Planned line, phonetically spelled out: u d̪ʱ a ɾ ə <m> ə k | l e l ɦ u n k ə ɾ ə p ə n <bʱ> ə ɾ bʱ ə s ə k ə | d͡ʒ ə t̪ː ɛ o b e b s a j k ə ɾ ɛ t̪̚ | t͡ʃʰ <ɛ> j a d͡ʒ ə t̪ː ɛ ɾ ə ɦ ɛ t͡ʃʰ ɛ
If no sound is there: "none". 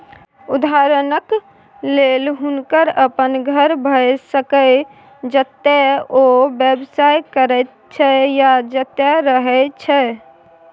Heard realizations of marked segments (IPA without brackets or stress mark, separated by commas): n, ɡʱ, ɛ